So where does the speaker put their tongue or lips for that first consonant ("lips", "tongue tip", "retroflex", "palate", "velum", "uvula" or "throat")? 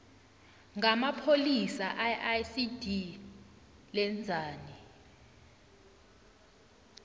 velum